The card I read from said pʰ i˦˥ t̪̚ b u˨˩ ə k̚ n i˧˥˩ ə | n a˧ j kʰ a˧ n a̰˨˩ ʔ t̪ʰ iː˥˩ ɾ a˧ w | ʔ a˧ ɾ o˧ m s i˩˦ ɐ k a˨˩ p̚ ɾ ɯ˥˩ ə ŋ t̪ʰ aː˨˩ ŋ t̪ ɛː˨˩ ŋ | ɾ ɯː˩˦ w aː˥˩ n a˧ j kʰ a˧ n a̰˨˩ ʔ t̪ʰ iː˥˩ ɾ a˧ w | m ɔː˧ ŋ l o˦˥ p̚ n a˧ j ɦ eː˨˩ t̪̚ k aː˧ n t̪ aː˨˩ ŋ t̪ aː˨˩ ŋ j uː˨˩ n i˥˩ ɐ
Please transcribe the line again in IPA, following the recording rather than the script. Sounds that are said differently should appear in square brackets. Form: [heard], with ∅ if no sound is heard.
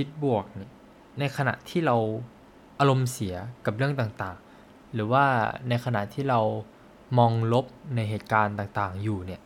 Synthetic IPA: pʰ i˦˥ t̪̚ b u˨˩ ə k̚ n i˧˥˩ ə | n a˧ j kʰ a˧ n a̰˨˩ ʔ t̪ʰ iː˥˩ ɾ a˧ w | ʔ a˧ ɾ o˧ m s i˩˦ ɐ k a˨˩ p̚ ɾ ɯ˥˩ ə ŋ [t̪] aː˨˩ ŋ t̪ [aː˨˩] ŋ | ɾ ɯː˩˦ w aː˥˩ n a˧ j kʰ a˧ n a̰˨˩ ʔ t̪ʰ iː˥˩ ɾ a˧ w | m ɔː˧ ŋ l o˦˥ p̚ n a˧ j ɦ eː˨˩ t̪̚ k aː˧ n t̪ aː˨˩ ŋ t̪ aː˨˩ ŋ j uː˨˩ n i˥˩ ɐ